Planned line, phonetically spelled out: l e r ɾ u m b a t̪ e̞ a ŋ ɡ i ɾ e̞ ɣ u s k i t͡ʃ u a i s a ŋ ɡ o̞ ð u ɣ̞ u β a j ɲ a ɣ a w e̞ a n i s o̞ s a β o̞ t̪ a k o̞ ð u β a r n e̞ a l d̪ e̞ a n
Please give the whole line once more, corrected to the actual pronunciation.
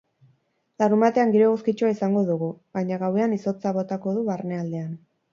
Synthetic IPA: l a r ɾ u m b a t̪ e̞ a ŋ ɡ i ɾ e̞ ɣ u s k i t͡ʃ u a i s a ŋ ɡ o̞ ð u ɣ̞ u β a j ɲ a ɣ a w e̞ a n i s o̞ t͡s a β o̞ t̪ a k o̞ ð u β a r n e̞ a l d̪ e̞ a n